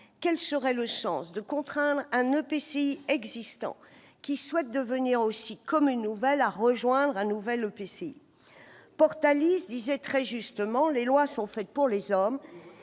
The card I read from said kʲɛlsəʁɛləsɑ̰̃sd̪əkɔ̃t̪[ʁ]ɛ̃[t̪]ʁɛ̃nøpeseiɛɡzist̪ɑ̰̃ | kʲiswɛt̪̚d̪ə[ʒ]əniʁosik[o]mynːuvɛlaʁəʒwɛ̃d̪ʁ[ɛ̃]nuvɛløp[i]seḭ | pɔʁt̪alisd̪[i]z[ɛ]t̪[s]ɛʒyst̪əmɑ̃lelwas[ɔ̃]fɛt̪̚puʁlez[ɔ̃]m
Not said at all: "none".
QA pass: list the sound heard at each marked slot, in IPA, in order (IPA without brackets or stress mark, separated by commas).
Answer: χ, d̪, v, ɔ, ɛ̃, e, i, ɛ, χ, ɔ̃, ɔ